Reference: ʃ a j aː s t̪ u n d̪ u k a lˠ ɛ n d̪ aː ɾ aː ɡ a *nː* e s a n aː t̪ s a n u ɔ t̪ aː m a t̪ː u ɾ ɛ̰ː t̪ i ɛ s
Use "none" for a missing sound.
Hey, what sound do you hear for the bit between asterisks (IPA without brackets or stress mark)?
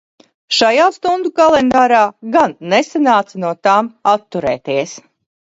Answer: nː